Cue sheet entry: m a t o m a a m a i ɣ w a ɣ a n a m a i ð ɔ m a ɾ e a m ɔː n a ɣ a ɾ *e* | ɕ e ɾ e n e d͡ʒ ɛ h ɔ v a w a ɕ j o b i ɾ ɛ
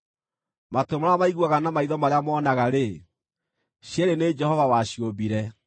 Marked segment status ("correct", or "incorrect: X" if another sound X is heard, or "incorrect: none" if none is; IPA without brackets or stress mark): correct